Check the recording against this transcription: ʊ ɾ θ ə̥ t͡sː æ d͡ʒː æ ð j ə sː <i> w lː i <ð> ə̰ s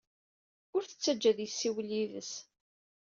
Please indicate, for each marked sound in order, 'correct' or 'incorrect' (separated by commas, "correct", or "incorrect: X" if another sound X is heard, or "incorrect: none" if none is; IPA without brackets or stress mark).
correct, correct